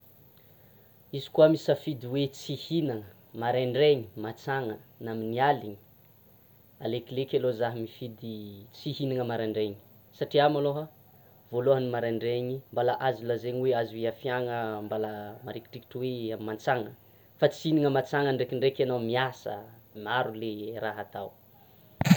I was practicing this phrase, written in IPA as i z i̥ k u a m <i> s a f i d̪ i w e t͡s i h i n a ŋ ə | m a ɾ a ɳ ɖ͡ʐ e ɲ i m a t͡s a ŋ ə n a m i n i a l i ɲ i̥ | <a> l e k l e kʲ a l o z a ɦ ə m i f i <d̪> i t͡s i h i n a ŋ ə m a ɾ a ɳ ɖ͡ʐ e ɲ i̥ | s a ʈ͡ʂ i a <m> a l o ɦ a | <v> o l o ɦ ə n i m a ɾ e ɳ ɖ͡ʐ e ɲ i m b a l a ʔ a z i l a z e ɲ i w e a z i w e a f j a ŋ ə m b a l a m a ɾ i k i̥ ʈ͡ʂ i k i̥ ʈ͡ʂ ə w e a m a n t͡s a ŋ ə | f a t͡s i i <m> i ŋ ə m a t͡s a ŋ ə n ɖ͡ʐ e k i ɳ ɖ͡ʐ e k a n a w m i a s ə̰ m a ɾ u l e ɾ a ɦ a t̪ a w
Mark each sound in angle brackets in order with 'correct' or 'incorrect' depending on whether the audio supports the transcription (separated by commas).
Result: correct, correct, correct, correct, correct, incorrect